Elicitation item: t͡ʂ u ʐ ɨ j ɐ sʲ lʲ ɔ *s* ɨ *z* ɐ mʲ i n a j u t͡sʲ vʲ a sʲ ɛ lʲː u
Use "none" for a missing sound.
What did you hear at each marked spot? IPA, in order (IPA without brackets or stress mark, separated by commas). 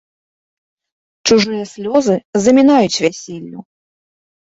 z, z